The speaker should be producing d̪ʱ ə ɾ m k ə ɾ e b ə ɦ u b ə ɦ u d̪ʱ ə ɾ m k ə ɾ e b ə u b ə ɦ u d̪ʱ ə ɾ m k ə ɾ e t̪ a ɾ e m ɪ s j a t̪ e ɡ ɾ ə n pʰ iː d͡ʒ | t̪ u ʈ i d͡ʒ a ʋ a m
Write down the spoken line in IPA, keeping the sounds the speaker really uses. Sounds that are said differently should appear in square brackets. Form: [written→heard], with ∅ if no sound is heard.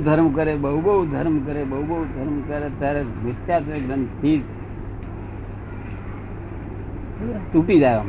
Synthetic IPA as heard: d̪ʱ ə ɾ m k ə ɾ e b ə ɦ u b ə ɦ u d̪ʱ ə ɾ m k ə ɾ e b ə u b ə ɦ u d̪ʱ ə ɾ m k ə ɾ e t̪ a ɾ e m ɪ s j a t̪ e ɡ ɾ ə n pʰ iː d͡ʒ | t̪ u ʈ i d͡ʒ a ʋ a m